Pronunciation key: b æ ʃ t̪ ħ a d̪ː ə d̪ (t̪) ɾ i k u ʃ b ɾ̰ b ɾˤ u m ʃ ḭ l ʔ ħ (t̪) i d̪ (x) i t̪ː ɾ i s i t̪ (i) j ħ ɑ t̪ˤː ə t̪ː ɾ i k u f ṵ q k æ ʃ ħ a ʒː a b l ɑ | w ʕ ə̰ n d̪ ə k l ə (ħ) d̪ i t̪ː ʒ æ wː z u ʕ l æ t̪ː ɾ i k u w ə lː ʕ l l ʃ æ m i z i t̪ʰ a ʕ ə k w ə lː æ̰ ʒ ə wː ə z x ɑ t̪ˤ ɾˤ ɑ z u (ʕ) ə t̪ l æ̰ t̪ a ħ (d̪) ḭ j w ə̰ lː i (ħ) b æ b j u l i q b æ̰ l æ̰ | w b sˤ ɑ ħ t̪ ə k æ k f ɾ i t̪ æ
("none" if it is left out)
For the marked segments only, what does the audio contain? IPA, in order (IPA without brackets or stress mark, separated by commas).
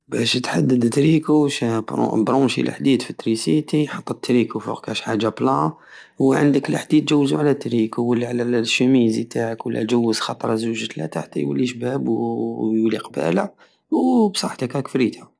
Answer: t̪, d̪, f, i, ħ, ʒ, t̪, ʃ